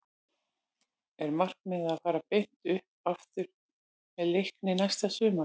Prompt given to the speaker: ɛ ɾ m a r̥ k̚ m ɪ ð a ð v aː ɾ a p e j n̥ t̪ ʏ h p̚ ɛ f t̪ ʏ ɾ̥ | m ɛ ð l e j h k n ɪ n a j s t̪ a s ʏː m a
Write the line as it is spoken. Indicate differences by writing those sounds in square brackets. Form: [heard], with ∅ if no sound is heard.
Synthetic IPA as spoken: ɛ ɾ m a r̥ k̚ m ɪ ð a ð [f] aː ɾ a p e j n̥ t̪ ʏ h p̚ [a] f t̪ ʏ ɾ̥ | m ɛ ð l e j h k n ɪ n a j s t̪ a s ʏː m a